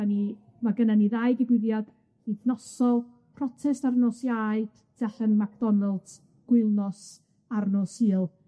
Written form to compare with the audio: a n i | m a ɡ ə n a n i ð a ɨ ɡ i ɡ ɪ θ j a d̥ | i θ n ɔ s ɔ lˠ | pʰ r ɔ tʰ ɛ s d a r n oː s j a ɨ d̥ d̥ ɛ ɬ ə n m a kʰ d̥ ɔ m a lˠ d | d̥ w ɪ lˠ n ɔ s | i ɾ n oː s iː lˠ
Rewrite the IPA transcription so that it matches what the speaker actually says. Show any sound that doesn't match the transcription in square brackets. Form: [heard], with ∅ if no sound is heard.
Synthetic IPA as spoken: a n i | m a ɡ ə n a n i ð a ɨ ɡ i [b] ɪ [ð] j a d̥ | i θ n ɔ s ɔ lˠ | pʰ r ɔ tʰ ɛ s [t] a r n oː s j a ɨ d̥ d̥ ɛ ɬ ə n m a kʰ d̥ ɔ [n] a lˠ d | [ɡ̥] w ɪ lˠ n ɔ s | [a] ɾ n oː s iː lˠ